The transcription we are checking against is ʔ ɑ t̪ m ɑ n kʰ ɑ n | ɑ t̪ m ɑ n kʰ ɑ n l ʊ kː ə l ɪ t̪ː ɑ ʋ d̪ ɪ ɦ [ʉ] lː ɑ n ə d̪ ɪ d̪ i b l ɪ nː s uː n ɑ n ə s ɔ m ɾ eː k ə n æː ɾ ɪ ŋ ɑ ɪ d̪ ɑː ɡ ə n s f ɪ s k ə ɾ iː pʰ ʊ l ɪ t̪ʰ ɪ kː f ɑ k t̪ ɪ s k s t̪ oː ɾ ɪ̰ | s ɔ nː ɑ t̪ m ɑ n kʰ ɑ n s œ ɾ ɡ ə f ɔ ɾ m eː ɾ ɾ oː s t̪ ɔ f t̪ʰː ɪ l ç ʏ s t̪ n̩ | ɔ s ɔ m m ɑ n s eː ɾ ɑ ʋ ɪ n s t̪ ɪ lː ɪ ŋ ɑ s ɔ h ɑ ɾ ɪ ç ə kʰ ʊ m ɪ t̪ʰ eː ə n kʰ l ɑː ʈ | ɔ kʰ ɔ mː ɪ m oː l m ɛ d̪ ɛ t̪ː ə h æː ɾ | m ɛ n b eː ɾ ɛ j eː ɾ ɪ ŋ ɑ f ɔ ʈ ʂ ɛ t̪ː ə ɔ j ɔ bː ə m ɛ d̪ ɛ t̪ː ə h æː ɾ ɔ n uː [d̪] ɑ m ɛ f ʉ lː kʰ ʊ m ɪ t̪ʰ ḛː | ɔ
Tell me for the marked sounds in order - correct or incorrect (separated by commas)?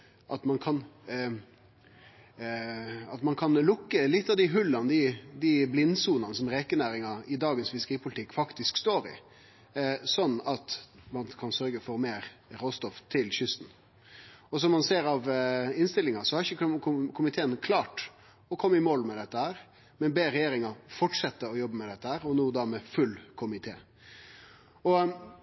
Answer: correct, correct